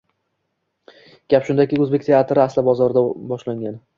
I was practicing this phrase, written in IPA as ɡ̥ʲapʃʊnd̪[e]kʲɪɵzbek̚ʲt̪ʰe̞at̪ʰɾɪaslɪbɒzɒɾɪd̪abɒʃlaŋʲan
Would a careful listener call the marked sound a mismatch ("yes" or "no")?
yes